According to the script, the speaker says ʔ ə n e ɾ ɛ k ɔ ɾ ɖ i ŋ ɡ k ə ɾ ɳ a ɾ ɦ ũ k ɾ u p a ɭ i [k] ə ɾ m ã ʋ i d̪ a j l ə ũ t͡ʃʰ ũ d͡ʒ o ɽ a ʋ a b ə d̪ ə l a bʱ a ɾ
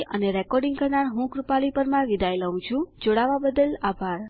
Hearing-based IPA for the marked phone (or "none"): p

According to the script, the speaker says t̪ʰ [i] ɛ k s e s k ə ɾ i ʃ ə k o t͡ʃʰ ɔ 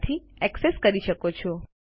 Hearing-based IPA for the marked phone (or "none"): i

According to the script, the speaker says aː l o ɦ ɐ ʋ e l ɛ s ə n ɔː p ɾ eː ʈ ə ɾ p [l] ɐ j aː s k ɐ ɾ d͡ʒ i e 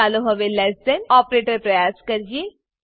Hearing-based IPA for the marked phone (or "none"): ɾ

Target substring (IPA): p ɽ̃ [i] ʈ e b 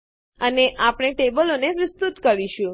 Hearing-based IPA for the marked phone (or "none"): e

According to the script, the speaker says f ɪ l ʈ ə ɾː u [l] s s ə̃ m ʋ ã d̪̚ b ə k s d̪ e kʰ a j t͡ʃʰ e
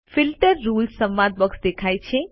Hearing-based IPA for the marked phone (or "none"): l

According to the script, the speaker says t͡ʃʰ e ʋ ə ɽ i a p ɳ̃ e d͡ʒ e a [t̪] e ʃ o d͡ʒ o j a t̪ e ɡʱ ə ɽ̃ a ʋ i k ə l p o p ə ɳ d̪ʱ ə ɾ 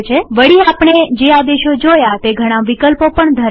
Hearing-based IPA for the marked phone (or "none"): d̪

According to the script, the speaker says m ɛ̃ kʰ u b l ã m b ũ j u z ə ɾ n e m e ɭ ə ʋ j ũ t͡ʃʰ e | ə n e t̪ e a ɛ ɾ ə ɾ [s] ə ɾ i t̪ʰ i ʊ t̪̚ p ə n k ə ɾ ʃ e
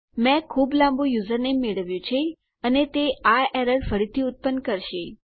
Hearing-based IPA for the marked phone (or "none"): f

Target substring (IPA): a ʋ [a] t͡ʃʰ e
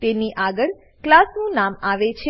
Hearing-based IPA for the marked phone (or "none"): e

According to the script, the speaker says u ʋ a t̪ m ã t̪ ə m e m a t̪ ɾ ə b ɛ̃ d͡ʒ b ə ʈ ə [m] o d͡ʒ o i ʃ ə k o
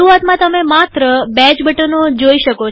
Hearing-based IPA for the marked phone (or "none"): n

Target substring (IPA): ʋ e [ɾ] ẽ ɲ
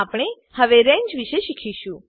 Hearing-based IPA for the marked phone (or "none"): ɾ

